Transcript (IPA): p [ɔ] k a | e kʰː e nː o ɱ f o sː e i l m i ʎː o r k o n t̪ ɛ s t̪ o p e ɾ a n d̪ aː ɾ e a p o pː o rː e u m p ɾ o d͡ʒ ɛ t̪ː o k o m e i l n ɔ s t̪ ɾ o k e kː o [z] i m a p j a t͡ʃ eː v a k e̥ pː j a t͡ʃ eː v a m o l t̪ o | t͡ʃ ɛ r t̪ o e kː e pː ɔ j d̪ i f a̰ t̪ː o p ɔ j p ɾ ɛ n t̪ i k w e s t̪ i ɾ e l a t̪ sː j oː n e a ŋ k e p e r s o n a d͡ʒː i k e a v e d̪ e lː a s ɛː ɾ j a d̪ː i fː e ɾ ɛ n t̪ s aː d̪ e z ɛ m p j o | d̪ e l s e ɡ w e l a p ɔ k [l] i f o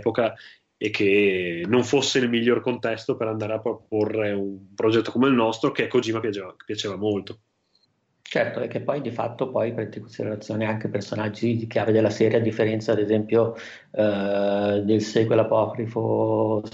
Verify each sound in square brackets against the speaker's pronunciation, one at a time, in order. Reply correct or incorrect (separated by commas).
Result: incorrect, correct, incorrect